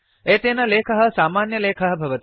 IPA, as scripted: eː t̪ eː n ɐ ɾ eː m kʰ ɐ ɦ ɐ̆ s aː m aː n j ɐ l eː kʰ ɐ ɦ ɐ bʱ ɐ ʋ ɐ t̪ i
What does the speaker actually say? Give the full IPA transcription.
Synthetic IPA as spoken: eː t̪ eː n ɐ l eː kʰ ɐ ɦ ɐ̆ s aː m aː n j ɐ l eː kʰ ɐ ɦ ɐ bʱ ɐ ʋ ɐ t̪ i